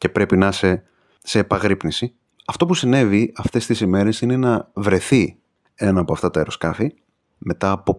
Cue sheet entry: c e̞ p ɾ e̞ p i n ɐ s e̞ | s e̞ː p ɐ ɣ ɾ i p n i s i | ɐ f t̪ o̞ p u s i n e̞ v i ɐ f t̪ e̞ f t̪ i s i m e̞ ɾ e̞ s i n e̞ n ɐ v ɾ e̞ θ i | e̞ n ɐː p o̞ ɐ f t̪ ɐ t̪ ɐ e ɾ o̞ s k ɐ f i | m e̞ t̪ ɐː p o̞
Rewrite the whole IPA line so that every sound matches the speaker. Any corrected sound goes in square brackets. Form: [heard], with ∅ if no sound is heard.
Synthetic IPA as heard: c e̞ p ɾ e̞ p i n ɐ s e̞ | s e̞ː p ɐ ɣ ɾ i p n i s i | ɐ f t̪ o̞ p u s i n e̞ v i ɐ f t̪ e̞ [s] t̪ i s i m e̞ ɾ e̞ s i n e̞ n ɐ v ɾ e̞ θ i | e̞ n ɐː p o̞ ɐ f t̪ ɐ t̪ ɐ e ɾ o̞ s k ɐ f i | m e̞ t̪ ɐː p o̞